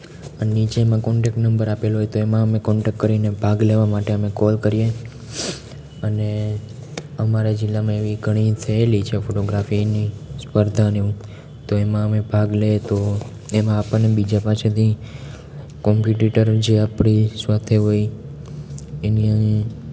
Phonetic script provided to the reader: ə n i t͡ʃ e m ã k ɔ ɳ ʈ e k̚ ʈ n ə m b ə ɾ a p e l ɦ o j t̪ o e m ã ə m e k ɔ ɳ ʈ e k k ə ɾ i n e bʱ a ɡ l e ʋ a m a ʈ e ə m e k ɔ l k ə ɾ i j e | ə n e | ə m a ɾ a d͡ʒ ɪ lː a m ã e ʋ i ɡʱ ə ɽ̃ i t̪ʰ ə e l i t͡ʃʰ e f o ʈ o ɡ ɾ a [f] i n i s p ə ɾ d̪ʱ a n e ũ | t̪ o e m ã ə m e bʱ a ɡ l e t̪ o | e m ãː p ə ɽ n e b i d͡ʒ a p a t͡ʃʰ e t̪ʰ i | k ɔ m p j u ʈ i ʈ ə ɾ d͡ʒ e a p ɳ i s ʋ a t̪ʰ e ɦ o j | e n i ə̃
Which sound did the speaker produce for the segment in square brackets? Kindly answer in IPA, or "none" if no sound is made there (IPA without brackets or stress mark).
f